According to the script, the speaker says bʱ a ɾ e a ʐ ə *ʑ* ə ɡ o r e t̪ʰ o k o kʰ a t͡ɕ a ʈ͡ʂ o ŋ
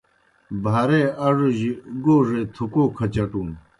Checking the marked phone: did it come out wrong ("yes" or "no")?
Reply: no